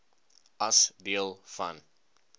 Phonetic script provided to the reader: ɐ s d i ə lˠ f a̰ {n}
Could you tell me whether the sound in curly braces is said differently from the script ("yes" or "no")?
no